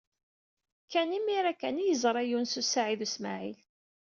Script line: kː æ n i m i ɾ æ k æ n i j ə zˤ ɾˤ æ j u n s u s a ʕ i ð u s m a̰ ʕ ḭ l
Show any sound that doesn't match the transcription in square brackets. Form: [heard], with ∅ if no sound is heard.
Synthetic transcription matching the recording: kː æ n i m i ɾ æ k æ n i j ə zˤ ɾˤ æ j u n s u s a ʕ i ð u s m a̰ ʕ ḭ l